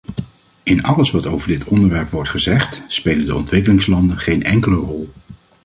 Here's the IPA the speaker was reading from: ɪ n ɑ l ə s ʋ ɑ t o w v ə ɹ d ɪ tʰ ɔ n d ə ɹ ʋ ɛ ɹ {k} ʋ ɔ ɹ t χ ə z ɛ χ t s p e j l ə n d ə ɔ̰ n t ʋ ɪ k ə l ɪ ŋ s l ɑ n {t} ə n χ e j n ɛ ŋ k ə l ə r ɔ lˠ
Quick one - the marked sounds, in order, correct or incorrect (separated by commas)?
incorrect, incorrect